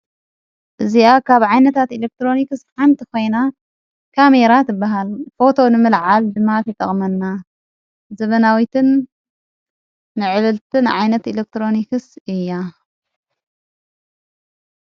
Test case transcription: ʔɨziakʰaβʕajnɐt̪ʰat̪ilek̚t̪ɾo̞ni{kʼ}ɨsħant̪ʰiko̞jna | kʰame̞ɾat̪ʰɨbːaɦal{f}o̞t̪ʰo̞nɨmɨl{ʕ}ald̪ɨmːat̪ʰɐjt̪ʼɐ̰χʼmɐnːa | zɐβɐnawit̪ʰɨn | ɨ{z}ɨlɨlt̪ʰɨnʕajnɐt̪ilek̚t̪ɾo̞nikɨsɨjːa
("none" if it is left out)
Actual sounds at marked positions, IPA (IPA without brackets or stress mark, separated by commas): k, f, ʕ, ʕ